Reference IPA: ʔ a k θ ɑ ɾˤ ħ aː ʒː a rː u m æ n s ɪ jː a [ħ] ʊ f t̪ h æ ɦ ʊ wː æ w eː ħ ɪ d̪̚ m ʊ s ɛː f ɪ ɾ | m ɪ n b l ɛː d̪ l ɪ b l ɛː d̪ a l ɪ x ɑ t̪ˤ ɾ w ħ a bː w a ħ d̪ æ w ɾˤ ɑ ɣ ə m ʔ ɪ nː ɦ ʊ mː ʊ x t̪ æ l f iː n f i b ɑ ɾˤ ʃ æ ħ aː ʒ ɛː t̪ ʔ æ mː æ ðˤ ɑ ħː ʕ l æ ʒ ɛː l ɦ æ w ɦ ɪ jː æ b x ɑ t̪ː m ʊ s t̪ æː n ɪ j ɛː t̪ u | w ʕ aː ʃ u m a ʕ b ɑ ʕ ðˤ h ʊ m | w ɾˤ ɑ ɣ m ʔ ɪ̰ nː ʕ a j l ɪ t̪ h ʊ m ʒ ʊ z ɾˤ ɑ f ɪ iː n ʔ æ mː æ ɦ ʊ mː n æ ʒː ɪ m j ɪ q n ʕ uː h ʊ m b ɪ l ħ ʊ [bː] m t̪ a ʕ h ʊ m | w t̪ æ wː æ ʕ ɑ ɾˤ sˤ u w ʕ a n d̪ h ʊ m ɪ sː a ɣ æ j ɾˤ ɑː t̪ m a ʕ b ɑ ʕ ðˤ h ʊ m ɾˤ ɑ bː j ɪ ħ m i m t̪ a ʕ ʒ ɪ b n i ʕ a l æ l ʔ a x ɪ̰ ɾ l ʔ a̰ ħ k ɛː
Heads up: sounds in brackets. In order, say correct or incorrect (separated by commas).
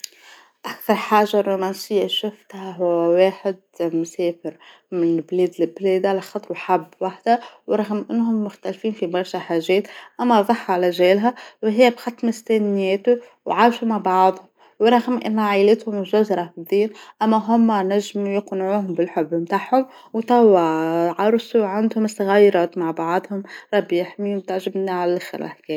incorrect, correct